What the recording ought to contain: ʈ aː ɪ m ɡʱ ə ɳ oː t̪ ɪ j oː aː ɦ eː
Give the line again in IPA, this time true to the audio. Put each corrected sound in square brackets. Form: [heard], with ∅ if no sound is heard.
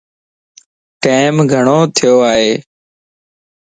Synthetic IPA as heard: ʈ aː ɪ m ɡʱ ə ɳ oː [t̪ʰ] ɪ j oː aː ɦ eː